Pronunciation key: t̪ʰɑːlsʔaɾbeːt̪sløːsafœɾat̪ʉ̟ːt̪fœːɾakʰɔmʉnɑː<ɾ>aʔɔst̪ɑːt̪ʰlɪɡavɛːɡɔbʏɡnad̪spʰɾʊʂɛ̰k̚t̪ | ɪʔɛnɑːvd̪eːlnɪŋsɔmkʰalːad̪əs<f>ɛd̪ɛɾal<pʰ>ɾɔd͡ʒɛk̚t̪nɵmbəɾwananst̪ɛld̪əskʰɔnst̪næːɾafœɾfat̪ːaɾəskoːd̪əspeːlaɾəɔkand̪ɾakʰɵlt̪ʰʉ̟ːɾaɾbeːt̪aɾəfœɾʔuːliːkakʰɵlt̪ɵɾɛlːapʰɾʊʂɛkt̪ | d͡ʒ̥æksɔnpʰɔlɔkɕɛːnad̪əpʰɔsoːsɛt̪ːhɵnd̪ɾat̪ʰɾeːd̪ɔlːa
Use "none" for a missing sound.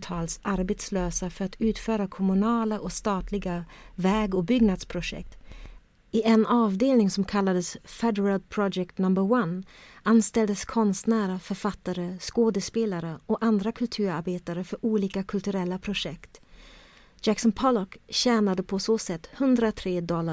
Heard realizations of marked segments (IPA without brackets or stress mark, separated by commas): l, f, pʰ